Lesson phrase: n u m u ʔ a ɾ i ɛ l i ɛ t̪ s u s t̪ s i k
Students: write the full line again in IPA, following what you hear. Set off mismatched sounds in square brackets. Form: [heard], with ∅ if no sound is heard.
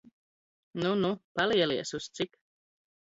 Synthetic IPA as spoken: n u [n] u [p] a [l] i ɛ l i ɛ [∅] s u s t̪ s i k